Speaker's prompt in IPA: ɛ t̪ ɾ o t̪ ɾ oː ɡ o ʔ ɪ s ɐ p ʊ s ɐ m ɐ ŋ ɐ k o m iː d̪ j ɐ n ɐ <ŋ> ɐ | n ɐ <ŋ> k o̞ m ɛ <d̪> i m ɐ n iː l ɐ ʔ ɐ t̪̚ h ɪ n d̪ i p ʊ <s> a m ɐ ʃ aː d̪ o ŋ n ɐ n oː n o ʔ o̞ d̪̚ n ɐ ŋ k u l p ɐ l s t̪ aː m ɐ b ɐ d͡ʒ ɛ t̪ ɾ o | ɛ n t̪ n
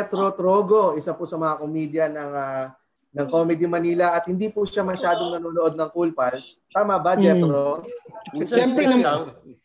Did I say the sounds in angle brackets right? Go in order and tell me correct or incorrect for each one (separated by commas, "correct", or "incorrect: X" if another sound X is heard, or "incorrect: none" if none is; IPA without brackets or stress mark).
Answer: correct, correct, correct, incorrect: ʃ